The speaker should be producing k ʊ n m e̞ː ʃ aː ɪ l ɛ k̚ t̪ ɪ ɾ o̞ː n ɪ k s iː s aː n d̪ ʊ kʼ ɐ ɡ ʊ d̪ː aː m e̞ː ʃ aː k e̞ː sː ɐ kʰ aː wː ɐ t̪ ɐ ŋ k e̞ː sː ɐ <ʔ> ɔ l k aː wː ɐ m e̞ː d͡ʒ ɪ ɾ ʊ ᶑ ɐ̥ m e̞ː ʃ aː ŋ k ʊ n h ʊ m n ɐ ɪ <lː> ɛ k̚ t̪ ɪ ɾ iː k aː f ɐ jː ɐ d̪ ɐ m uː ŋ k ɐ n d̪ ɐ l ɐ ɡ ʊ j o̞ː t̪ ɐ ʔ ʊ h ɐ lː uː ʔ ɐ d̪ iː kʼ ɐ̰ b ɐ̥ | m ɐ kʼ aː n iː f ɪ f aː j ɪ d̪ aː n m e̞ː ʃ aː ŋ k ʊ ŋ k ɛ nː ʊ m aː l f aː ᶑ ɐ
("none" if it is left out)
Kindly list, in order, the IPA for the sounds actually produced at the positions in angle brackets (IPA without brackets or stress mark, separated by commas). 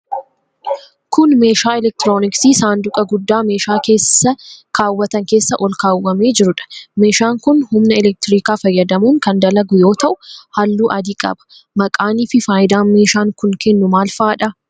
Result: ʔ, l